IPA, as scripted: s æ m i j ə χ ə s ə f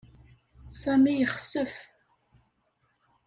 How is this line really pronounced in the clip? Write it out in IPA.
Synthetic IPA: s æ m i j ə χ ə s ə f